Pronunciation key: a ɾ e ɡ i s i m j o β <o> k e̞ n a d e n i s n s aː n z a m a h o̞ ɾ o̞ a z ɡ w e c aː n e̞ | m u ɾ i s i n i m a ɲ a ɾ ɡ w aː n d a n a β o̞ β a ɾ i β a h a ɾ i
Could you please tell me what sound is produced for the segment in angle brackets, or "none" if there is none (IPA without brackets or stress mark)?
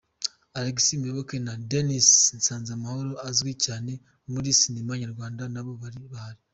o